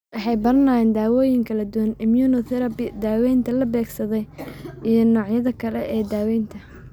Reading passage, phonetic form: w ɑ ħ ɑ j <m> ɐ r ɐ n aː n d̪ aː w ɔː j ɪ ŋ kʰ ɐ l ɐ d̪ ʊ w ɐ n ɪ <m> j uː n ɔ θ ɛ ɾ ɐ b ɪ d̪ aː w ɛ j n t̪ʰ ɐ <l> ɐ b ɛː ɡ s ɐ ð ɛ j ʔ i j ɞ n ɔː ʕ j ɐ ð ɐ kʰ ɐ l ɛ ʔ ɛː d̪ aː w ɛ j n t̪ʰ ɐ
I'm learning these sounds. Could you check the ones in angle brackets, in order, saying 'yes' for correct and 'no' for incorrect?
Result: no, yes, yes

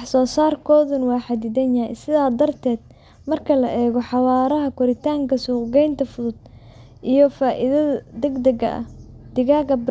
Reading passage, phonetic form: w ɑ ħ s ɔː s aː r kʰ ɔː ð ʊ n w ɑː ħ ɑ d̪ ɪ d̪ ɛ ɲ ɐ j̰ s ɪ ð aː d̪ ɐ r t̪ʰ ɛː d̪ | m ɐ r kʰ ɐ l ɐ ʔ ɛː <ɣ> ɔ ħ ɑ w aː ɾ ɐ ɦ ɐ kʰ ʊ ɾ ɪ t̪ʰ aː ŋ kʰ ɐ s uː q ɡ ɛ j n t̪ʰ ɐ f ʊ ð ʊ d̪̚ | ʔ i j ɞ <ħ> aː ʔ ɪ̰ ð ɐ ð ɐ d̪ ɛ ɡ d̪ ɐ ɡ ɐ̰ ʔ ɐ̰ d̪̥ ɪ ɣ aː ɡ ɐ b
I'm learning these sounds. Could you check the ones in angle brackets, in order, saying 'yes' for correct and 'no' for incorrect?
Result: yes, no

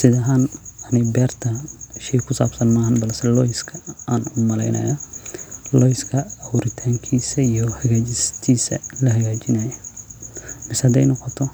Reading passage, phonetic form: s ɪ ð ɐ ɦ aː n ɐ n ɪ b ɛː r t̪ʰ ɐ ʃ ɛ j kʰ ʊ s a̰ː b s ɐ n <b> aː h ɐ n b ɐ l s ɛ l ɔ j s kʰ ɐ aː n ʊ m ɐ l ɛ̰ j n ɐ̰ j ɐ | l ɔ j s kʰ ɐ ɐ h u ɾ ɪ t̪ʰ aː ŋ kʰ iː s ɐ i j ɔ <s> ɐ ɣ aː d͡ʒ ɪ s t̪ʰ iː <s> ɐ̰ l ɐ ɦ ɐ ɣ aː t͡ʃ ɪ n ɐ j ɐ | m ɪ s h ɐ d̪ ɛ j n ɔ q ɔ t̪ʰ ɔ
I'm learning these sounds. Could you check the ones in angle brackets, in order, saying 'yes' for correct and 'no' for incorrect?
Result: no, no, yes

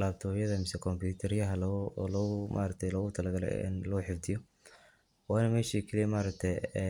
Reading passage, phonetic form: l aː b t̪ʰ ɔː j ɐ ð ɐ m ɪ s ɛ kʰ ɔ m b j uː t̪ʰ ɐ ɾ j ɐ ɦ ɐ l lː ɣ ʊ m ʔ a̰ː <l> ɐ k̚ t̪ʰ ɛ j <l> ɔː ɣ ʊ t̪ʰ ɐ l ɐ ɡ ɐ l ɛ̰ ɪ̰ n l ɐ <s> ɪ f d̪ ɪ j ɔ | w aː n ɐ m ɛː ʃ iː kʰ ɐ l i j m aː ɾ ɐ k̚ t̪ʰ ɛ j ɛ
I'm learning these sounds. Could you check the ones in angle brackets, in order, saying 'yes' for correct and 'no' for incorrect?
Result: no, yes, no

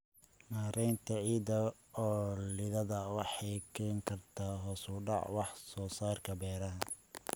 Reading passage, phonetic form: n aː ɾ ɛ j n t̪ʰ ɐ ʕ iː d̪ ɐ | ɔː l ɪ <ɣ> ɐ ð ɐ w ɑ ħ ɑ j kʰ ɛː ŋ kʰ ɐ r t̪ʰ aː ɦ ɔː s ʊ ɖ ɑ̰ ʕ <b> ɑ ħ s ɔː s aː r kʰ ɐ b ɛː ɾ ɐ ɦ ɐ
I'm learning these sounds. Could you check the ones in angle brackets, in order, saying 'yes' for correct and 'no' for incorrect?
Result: no, no

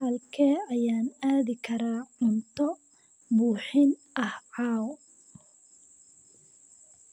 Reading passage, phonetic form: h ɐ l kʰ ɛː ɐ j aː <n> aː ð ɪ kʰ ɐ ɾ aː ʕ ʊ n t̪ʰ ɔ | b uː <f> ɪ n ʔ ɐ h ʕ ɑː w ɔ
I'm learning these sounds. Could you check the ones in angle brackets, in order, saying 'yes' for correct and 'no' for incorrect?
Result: yes, no

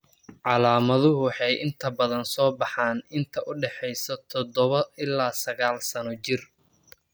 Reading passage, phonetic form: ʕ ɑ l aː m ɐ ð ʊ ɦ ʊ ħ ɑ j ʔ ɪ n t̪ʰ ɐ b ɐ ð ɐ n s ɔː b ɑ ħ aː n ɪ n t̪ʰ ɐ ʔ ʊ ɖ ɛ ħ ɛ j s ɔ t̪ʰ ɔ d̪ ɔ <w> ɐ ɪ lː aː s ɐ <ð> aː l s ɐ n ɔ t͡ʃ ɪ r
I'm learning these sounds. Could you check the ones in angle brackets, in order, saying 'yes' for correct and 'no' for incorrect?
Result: no, no

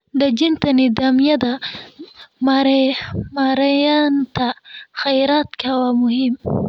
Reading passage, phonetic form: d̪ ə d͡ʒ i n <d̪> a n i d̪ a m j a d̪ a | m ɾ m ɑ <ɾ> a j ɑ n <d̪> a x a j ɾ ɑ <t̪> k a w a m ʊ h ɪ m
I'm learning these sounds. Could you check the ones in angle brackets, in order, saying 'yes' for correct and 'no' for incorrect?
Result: no, yes, no, yes

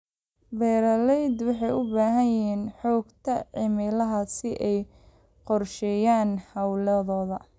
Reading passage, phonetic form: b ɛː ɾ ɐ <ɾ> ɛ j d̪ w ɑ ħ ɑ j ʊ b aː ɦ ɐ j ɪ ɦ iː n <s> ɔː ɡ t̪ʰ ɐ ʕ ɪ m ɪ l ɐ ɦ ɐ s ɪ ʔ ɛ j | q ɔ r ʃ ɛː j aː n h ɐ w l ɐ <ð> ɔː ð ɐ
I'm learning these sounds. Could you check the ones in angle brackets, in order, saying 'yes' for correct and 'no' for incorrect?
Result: no, no, yes

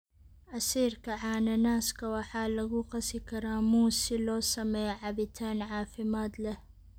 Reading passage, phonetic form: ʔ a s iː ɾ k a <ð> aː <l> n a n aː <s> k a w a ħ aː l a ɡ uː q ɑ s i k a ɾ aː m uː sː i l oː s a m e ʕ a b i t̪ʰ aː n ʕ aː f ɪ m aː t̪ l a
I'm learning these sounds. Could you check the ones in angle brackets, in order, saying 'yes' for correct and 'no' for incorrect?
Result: no, no, yes

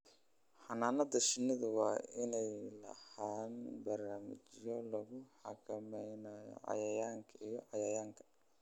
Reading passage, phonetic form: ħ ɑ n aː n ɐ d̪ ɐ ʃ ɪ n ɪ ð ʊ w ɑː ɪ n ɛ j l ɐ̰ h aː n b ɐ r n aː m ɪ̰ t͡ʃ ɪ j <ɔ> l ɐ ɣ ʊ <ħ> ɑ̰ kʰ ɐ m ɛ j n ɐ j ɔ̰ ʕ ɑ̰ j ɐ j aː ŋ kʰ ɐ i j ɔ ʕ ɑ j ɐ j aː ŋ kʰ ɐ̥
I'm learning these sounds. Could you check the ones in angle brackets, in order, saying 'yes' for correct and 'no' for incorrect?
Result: yes, yes

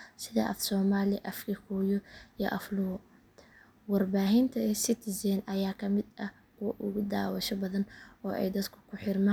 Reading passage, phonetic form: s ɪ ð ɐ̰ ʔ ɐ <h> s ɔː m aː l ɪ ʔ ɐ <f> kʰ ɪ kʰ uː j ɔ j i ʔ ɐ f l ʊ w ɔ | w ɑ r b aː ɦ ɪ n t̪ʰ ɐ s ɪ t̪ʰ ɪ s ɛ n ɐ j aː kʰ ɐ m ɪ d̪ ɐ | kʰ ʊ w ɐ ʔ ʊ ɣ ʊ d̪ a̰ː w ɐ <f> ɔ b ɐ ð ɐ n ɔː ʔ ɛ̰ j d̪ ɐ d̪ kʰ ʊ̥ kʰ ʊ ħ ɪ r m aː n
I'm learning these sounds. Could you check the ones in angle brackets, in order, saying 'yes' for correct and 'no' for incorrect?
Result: no, yes, no

